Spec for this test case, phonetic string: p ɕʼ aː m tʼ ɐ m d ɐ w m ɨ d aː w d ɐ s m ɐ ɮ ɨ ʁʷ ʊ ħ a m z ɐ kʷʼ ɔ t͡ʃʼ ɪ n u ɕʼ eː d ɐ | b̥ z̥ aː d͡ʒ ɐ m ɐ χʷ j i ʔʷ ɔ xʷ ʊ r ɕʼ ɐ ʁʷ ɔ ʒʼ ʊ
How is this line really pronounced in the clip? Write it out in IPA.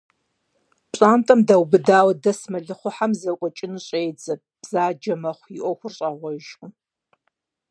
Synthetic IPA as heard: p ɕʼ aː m tʼ ɐ m d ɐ w b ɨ d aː w d ɐ s m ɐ ɮ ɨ χʷ ʊ ħ a m z ɐ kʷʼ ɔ t͡ʃʼ ɪ n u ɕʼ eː d͡z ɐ | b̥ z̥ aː d͡ʒ ɐ m ɐ χʷ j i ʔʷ ɔ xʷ ʊ r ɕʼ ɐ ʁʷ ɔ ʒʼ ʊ